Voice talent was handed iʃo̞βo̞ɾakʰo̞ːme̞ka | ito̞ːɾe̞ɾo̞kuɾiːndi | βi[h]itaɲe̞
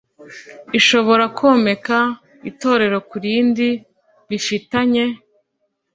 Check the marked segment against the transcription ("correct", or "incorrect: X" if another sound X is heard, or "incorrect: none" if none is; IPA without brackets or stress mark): incorrect: f